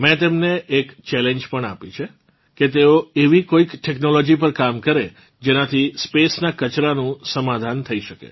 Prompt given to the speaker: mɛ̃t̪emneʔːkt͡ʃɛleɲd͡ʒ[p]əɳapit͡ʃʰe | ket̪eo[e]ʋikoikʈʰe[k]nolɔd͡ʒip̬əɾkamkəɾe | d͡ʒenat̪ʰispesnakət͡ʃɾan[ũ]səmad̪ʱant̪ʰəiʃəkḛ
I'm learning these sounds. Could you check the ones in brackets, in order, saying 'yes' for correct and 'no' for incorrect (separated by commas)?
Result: yes, yes, yes, yes